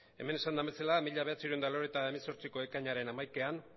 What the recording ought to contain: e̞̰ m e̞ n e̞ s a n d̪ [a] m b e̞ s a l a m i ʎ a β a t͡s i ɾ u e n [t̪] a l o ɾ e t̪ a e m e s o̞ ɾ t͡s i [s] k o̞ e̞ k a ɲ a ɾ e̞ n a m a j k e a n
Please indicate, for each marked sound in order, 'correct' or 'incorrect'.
correct, incorrect, incorrect

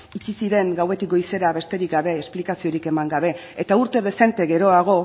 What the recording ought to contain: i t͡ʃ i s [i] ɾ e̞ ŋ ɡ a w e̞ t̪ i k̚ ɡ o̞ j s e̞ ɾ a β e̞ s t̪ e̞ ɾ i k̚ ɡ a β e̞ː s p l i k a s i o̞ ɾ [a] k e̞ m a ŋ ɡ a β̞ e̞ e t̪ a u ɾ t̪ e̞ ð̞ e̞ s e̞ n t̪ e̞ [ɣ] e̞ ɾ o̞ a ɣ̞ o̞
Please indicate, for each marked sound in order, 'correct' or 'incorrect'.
correct, incorrect, correct

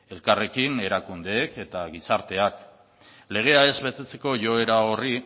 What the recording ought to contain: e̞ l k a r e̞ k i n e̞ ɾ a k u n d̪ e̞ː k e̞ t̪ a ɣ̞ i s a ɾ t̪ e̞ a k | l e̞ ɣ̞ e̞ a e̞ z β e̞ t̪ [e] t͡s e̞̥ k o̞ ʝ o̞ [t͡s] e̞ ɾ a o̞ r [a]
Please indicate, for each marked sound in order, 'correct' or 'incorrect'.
correct, incorrect, incorrect

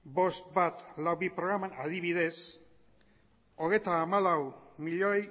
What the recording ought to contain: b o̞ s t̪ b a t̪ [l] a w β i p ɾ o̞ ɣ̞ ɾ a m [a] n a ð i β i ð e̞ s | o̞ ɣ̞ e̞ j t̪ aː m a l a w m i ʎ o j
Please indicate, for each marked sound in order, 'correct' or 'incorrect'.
correct, correct

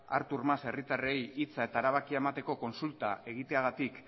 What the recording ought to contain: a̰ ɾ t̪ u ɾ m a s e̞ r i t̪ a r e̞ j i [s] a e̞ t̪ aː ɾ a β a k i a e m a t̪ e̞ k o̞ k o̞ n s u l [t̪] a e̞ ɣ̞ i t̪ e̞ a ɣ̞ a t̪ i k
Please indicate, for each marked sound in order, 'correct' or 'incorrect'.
incorrect, correct

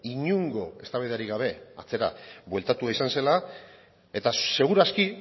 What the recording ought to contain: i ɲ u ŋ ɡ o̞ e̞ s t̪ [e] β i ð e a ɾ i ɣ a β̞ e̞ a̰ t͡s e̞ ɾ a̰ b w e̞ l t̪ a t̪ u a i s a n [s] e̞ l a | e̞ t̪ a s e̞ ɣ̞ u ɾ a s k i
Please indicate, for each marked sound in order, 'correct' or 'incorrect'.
incorrect, correct

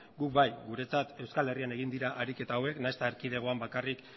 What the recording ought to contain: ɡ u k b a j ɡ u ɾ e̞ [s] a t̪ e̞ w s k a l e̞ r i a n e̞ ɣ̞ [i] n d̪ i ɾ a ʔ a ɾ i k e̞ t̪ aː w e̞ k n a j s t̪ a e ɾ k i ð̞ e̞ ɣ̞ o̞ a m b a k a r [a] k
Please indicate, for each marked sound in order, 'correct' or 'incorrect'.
incorrect, correct, incorrect

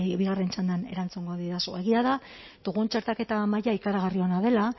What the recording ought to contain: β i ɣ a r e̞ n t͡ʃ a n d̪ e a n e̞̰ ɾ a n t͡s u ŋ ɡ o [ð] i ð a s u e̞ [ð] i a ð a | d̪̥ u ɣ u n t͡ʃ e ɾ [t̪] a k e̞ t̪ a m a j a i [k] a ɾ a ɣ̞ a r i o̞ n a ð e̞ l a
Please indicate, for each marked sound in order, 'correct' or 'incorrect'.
correct, incorrect, correct, correct

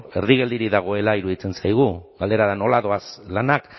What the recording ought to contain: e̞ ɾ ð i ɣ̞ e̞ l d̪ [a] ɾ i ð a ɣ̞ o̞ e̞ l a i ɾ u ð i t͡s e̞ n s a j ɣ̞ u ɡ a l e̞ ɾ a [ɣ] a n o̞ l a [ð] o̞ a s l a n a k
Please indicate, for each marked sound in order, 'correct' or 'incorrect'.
incorrect, incorrect, correct

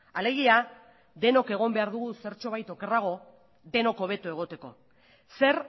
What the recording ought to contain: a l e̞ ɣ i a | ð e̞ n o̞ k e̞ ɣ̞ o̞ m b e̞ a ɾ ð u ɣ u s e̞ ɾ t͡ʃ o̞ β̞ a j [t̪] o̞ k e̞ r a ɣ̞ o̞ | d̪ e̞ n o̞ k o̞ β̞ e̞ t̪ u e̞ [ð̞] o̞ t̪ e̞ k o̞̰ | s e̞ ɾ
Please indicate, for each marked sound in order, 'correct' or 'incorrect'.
correct, incorrect

